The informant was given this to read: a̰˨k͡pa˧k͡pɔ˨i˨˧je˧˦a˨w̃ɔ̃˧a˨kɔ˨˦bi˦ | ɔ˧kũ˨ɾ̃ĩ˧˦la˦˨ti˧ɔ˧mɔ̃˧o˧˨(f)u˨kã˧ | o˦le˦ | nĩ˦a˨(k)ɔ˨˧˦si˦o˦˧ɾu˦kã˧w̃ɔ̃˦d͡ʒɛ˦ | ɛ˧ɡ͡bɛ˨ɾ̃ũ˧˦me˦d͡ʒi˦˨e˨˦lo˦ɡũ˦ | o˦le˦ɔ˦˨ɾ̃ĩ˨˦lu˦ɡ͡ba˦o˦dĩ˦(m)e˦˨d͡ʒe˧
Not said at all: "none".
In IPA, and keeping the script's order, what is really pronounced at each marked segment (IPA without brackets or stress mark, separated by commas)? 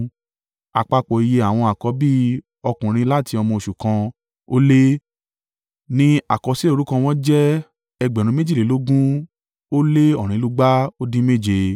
ʃ, k, m